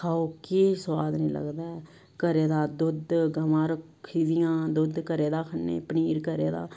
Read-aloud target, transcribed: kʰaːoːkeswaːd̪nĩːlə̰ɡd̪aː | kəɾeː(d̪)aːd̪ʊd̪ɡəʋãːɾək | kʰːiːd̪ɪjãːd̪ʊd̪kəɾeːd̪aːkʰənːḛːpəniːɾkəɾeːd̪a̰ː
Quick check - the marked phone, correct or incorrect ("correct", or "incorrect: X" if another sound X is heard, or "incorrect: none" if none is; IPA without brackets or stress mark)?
correct